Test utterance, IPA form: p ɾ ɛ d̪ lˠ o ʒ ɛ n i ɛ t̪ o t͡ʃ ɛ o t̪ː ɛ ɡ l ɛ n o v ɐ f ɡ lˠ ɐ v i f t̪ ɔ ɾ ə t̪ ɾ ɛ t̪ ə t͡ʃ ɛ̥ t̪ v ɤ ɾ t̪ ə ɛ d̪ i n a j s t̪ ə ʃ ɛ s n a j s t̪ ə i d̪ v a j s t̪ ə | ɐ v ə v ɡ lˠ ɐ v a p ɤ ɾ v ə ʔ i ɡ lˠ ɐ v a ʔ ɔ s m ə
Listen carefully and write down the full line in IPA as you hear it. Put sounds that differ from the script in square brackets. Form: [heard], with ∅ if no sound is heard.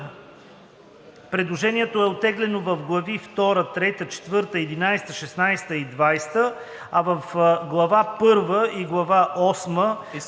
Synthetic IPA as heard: p ɾ ɛ d̪ lˠ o ʒ ɛ n i ɛ t̪ o [∅] ɛ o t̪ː ɛ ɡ l ɛ n o v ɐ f ɡ lˠ ɐ v i f t̪ ɔ ɾ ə t̪ ɾ ɛ t̪ ə t͡ʃ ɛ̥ t̪ v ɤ ɾ t̪ ə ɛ d̪ i n a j s t̪ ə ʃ ɛ s n a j s t̪ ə i d̪ v a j s t̪ ə | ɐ v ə [f] ɡ lˠ ɐ v a p ɤ ɾ v ə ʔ i ɡ lˠ ɐ v a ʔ ɔ s m ə